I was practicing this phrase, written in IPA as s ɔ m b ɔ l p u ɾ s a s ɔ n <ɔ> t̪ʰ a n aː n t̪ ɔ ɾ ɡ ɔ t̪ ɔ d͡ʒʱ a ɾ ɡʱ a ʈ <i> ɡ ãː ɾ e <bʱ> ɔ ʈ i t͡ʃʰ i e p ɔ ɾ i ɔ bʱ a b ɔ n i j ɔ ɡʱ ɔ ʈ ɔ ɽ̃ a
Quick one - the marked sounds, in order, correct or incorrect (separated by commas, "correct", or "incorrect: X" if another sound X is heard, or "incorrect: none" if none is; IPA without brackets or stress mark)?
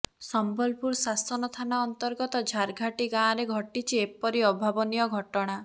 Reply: correct, correct, incorrect: ɡʱ